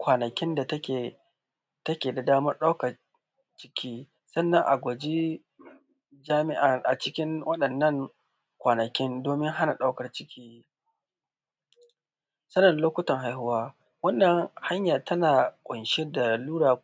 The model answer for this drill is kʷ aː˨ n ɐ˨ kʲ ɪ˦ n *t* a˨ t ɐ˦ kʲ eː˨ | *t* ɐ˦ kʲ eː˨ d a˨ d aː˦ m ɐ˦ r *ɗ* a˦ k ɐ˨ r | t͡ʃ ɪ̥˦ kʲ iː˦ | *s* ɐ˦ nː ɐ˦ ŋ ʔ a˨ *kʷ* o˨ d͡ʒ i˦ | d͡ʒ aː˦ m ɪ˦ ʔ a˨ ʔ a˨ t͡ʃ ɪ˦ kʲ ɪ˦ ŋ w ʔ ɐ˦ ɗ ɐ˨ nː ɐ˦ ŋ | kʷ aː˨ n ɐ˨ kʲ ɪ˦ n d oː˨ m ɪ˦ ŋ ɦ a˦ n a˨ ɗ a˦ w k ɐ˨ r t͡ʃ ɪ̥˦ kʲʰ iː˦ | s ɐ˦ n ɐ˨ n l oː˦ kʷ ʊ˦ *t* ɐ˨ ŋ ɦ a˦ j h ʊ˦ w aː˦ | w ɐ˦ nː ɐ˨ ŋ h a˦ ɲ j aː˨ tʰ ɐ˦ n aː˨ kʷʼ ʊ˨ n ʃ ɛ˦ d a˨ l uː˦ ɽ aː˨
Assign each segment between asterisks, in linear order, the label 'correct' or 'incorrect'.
incorrect: d, correct, correct, correct, incorrect: ɡʷ, correct

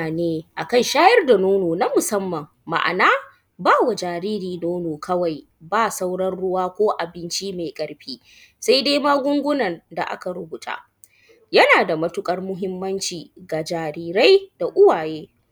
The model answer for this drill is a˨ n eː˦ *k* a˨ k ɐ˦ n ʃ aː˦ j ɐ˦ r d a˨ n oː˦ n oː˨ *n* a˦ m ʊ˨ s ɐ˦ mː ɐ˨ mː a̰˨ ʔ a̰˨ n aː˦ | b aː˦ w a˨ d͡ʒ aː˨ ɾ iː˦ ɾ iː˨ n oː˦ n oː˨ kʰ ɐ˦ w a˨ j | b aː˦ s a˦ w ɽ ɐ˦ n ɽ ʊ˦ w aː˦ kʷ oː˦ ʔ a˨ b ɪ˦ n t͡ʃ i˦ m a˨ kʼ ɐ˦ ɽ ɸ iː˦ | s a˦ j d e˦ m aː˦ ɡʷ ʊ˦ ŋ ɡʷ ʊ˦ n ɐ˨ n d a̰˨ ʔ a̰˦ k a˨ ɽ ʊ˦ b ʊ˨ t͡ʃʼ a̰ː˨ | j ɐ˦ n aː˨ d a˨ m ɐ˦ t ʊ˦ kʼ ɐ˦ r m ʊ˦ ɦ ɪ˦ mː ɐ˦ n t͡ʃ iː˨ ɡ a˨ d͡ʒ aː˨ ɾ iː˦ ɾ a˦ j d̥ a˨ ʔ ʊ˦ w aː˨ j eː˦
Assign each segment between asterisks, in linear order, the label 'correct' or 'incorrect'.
incorrect: ʔ, correct

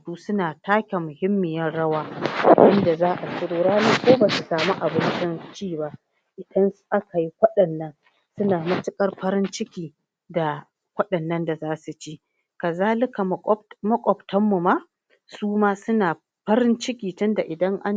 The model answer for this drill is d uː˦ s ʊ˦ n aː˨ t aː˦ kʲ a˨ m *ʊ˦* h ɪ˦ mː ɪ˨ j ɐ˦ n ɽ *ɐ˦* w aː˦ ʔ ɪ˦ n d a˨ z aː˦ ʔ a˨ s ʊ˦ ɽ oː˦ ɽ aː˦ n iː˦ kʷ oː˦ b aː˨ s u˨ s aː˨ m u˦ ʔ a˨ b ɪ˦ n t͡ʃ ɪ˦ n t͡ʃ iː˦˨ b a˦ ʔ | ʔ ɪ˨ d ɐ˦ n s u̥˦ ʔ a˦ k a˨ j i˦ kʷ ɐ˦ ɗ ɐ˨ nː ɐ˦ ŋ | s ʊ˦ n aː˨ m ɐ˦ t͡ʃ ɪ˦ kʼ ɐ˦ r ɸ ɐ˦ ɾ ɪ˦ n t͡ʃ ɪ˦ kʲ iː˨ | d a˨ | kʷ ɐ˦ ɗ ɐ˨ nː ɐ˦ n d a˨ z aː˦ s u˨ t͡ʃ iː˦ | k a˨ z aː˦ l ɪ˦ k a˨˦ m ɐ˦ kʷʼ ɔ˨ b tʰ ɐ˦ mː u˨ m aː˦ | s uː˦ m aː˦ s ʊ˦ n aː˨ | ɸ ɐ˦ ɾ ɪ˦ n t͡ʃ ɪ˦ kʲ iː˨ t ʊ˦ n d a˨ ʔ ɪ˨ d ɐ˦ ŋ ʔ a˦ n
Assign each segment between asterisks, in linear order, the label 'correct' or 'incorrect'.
incorrect: ʊ˨, correct

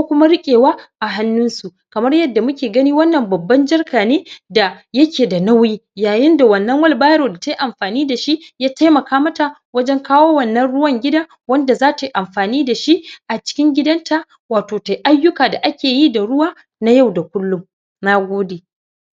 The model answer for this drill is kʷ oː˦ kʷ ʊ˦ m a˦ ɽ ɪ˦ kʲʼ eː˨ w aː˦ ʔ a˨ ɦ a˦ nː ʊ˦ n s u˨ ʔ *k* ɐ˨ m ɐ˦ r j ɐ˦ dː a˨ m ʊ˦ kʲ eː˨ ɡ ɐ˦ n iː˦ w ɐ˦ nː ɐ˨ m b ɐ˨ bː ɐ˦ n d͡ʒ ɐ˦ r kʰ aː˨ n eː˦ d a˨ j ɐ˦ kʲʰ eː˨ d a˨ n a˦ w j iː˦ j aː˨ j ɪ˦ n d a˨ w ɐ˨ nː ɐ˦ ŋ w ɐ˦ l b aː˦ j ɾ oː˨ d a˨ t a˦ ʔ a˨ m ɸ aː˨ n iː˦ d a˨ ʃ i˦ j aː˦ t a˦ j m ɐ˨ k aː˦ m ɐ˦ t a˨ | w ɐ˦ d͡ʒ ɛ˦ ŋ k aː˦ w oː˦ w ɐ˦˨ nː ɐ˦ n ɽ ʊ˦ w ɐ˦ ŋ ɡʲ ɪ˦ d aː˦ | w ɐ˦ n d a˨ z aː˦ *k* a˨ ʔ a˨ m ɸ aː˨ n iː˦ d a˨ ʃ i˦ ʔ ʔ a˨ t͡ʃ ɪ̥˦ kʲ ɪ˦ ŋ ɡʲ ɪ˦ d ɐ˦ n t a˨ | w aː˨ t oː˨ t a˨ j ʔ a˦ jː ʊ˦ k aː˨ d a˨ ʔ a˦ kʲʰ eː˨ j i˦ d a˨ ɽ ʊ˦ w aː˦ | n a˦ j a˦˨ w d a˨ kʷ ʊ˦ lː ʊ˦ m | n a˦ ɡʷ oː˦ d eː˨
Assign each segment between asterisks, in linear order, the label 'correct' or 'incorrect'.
correct, incorrect: t

